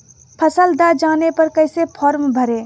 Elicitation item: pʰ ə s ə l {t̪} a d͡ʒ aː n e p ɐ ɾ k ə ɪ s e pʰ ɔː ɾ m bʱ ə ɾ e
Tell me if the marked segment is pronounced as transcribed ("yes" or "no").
no